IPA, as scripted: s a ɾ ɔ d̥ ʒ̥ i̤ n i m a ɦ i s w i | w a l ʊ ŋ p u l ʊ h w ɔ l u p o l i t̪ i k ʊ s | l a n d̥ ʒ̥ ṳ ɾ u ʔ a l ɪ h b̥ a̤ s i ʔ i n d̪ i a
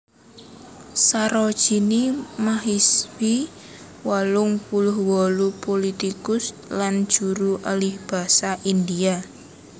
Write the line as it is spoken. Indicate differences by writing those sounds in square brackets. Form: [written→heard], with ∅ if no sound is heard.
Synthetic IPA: s a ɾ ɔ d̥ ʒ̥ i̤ n i m a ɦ i s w i | w a l ʊ ŋ p u l ʊ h w ɔ l u p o l i t̪ i k ʊ s | l a n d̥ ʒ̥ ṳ ɾ u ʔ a l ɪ h b̥ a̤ s [i→a] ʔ i n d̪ i a